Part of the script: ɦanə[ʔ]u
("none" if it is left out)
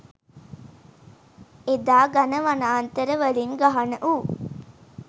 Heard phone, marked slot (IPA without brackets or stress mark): ʔ